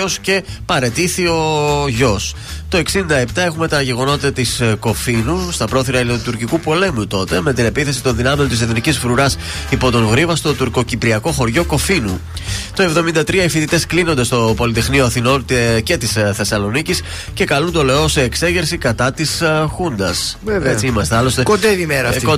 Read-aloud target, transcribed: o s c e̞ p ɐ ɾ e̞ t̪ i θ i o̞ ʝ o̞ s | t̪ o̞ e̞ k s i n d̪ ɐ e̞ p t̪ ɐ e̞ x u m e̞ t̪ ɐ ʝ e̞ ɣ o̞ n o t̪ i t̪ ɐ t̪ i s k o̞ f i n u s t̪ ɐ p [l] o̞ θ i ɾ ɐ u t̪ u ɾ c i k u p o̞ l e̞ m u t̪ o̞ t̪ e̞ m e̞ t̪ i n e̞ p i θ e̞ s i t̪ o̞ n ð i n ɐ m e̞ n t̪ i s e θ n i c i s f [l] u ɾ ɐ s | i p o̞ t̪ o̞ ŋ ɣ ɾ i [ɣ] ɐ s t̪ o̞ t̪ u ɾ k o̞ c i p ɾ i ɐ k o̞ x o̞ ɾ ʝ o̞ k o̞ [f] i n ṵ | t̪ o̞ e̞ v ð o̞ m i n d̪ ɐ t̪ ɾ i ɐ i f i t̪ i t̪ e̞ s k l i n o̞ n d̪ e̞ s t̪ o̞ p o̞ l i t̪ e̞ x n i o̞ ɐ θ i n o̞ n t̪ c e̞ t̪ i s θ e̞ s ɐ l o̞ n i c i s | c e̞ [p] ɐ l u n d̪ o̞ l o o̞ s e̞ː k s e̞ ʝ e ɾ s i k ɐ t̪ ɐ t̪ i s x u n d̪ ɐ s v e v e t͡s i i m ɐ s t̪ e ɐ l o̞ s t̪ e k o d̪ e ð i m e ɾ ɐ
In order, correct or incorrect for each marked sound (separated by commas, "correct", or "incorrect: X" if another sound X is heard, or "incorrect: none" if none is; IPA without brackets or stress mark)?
incorrect: ɾ, incorrect: ɾ, incorrect: v, correct, incorrect: k